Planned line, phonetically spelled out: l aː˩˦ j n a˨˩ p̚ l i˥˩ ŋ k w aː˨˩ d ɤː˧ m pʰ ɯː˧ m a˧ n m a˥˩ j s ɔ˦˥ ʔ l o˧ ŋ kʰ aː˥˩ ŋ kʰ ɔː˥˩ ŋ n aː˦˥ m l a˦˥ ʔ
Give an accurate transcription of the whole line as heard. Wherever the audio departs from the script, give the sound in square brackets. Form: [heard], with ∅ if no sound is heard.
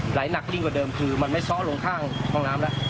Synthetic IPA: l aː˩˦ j n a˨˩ [k̚] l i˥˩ ŋ k w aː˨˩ d ɤː˧ m [kʰ] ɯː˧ m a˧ n m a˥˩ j s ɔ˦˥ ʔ l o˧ ŋ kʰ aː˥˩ ŋ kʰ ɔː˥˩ ŋ n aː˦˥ m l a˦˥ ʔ